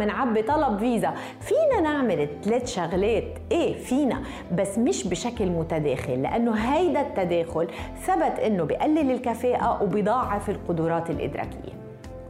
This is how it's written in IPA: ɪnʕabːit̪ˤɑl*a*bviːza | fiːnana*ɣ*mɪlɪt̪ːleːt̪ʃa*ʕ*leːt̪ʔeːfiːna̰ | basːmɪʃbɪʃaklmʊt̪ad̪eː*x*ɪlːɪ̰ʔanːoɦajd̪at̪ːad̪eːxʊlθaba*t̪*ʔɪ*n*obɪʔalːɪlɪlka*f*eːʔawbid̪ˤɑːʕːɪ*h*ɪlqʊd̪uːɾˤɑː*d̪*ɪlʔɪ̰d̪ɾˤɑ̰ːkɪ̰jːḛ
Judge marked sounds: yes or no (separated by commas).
no, no, no, yes, yes, no, yes, no, no